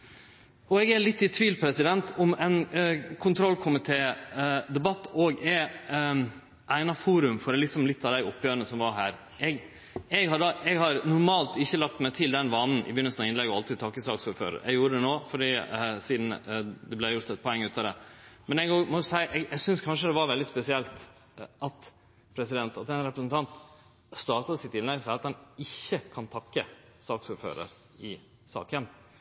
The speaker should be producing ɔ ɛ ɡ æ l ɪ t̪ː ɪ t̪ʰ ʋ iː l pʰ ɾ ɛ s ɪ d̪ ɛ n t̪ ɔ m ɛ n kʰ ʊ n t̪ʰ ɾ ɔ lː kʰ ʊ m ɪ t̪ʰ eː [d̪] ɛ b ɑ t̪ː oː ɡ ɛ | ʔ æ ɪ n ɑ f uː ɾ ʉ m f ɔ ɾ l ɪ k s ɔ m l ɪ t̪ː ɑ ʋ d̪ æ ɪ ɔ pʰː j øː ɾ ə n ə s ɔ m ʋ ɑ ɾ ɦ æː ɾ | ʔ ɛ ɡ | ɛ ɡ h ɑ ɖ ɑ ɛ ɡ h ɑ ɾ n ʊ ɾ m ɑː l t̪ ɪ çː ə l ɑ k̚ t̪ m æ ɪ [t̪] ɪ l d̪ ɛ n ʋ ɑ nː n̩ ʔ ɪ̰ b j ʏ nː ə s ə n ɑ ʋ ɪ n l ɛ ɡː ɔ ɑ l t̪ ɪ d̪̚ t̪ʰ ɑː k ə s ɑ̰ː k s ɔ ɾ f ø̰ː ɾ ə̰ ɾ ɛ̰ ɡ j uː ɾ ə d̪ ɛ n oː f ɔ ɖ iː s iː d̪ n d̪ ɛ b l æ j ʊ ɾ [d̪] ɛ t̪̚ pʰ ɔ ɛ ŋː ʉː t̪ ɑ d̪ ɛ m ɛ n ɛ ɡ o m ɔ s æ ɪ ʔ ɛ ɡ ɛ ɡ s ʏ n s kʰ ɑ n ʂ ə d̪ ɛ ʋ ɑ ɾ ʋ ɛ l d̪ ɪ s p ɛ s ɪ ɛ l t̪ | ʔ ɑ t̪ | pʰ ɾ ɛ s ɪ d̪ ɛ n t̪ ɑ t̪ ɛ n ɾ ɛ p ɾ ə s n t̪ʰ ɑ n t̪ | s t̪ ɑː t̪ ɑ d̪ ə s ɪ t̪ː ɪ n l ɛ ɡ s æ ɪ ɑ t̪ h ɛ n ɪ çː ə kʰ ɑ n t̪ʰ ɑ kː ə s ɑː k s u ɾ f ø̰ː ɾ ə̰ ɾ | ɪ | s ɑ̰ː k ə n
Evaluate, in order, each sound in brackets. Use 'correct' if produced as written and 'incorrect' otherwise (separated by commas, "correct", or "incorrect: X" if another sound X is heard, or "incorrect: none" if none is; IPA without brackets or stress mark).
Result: correct, incorrect: t̪ʰ, incorrect: t̪